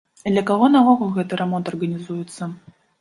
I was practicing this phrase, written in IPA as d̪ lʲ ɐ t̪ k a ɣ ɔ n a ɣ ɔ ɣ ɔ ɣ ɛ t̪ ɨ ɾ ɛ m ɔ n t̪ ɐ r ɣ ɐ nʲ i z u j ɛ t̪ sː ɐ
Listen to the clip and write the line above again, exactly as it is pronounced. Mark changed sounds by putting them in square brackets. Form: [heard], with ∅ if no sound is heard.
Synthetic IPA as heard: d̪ lʲ ɐ [∅] k a ɣ ɔ n a [v] ɔ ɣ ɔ ɣ ɛ t̪ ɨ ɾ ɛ m ɔ n t̪ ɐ r ɣ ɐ nʲ i z u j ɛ t̪ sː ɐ